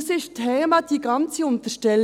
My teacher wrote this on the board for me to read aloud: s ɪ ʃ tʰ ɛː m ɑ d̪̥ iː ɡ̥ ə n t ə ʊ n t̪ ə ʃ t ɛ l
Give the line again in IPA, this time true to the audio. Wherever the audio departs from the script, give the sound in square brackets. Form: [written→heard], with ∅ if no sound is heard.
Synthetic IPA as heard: s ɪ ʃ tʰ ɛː m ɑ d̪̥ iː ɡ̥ [ə→ɑ] n [t→t͡s] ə ʊ n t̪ ə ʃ t ɛ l